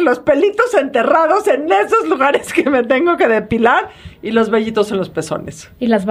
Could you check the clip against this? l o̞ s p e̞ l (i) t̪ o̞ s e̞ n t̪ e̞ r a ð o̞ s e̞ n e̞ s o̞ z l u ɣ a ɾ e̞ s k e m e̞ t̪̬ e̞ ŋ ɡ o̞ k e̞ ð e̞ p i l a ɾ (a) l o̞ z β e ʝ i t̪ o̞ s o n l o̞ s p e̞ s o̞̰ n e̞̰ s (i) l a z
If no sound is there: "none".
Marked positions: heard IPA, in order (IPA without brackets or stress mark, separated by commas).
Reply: i, i, i